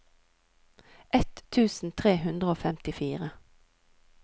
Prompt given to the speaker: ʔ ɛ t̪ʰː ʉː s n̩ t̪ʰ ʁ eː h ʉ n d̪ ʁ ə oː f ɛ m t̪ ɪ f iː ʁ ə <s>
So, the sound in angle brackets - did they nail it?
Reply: no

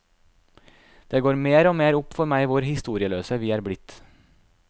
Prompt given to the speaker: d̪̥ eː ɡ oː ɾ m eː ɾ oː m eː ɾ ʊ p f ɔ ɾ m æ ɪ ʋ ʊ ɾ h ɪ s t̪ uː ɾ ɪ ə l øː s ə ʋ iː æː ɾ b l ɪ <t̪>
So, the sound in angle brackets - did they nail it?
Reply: yes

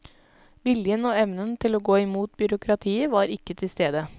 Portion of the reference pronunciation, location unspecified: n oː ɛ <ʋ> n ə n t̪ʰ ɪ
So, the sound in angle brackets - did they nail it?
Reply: yes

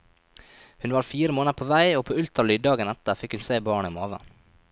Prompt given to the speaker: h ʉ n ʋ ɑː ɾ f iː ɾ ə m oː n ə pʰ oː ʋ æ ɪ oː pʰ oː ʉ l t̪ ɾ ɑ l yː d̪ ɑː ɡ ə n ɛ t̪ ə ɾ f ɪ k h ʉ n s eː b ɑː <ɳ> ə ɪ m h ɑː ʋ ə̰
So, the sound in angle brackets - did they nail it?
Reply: yes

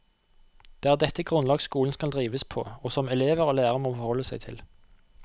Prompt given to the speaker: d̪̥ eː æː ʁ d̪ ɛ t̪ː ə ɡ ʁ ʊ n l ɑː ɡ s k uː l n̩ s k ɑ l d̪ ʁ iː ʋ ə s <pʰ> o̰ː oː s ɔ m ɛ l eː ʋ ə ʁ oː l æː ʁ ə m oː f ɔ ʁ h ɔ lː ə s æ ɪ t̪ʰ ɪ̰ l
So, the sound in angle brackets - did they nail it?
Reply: yes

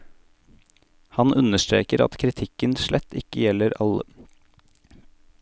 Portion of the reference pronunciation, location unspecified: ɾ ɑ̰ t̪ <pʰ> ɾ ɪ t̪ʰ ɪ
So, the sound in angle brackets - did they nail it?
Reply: no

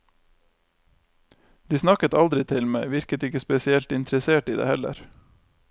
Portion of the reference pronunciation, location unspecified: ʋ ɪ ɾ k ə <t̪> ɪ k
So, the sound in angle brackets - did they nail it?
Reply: yes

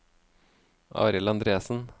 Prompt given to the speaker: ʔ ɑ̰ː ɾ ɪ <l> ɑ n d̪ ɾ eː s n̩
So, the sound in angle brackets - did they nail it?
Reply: yes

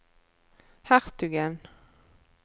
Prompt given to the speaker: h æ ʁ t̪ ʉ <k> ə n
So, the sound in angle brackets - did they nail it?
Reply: no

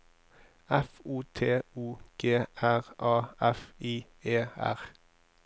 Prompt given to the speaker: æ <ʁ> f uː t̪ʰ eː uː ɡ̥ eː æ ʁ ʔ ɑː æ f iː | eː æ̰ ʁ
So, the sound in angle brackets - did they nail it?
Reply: no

